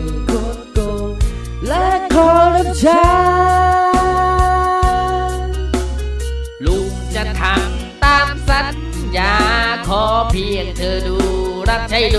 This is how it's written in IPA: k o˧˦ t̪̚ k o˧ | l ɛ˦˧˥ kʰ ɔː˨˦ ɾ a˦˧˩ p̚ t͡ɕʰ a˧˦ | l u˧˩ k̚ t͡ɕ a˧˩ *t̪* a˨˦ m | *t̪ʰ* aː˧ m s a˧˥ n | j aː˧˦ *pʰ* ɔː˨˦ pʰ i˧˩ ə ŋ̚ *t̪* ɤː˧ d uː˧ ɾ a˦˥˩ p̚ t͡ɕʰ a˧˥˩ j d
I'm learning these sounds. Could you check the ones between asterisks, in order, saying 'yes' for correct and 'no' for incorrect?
no, no, no, no

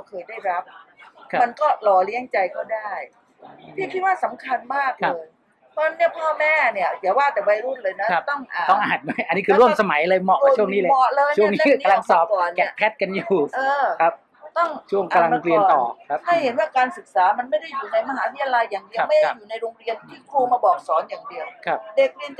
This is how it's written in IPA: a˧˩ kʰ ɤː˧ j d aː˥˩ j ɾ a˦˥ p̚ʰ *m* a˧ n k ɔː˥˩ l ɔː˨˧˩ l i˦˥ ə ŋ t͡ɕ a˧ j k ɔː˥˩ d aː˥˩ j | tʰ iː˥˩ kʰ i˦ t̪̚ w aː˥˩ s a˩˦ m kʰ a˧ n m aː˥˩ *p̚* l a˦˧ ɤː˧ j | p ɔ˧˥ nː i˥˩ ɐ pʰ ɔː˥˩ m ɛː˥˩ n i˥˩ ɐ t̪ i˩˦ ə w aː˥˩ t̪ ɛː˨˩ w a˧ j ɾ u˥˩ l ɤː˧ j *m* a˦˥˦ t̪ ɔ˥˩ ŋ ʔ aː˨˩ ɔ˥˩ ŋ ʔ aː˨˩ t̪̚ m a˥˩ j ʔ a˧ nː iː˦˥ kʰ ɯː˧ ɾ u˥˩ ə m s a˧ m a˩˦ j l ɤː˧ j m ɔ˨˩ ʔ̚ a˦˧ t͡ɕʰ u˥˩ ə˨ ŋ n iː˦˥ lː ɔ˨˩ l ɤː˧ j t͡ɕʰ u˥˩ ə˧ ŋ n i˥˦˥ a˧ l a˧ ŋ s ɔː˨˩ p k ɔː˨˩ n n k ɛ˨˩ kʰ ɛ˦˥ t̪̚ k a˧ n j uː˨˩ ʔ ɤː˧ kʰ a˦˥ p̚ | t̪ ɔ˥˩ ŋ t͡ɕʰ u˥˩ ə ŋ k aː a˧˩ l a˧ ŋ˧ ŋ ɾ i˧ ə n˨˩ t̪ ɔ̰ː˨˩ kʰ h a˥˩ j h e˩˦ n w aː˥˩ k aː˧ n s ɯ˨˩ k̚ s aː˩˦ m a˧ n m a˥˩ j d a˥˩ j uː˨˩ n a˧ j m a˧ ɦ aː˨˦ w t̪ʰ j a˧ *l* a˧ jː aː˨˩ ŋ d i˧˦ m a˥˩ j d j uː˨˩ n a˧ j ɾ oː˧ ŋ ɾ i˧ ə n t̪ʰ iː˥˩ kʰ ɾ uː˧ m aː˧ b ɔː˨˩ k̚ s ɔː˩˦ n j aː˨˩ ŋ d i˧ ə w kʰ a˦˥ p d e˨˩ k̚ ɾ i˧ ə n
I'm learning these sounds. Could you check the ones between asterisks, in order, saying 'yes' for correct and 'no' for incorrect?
yes, no, no, yes

